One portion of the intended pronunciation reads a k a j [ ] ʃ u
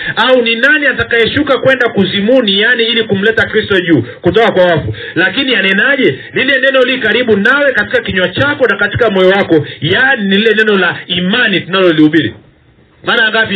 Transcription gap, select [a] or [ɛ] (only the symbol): ɛ